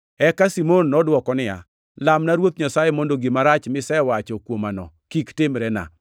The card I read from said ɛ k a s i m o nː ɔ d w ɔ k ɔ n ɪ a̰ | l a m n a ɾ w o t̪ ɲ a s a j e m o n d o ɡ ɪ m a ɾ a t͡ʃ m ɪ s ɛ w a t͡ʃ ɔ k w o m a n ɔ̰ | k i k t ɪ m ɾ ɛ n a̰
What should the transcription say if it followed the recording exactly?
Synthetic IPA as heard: ɛ k a s i m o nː ɔ d w ɔ k ɔ n ɪ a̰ | l a m n a ɾ w o t̪ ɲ a s a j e m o n d o ɡ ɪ m a ɾ a t͡ʃ m ɪ s ɛ w a t͡ʃ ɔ k w o m a n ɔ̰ | k i k t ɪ m ɾ ɛ n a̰